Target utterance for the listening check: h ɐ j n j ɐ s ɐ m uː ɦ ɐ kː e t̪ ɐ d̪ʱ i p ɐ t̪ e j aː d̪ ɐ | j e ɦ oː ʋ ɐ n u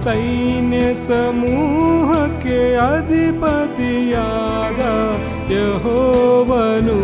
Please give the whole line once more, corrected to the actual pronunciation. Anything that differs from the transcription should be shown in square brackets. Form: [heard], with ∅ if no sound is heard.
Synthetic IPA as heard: [s] ɐ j n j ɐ s ɐ m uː ɦ ɐ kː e [∅] ɐ d̪ʱ i p ɐ t̪ [i] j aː d̪ ɐ | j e ɦ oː ʋ ɐ n u